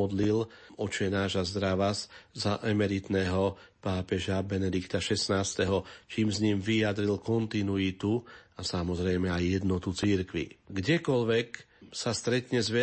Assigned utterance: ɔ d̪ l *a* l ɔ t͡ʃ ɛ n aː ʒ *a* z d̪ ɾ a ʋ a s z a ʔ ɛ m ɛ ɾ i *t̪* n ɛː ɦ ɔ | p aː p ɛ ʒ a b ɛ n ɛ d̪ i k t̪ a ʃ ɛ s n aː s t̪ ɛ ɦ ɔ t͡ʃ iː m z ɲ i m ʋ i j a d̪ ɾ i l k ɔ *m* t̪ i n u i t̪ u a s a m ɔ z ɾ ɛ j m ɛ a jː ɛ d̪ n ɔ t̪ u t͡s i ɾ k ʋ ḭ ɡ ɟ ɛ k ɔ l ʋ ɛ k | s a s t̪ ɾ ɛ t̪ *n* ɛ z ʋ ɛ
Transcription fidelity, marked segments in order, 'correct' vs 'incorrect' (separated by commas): incorrect, correct, correct, incorrect, incorrect